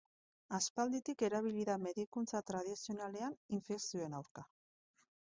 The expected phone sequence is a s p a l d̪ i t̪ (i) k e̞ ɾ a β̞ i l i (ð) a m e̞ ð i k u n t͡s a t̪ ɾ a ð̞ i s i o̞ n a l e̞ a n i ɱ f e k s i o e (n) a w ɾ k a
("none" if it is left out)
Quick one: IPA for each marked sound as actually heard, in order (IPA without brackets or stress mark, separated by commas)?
i, ð, n